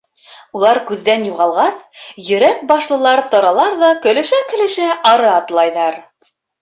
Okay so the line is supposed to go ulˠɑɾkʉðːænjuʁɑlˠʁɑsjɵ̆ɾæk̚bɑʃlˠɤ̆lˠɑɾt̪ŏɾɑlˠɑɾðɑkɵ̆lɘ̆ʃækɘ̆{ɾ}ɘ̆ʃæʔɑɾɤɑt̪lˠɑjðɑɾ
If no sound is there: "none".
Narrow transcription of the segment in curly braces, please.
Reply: l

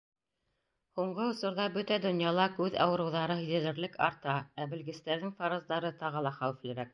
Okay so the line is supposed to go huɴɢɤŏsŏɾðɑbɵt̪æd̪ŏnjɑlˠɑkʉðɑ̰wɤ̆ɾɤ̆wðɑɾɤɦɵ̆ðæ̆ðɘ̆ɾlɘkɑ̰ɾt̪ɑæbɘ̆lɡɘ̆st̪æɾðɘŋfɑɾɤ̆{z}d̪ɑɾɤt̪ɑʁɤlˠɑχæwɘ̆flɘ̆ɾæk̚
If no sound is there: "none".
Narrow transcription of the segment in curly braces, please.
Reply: z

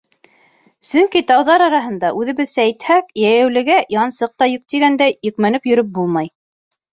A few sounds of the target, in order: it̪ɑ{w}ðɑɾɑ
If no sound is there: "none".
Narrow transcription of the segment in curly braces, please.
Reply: w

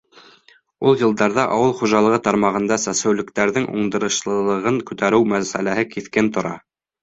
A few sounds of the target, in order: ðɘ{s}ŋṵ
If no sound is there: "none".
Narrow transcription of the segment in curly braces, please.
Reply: none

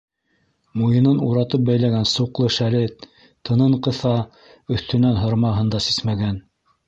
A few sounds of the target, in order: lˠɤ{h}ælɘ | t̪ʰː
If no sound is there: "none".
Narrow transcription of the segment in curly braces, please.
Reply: ʃ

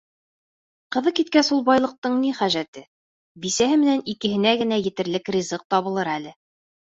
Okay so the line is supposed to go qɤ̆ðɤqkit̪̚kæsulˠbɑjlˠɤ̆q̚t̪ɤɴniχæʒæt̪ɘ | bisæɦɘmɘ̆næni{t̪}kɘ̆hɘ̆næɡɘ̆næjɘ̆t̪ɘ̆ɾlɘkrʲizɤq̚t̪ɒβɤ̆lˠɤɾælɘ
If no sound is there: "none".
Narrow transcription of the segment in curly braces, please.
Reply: none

